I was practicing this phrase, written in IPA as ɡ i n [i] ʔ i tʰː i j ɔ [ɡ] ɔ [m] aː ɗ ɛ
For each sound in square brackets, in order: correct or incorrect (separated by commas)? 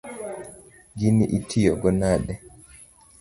correct, correct, incorrect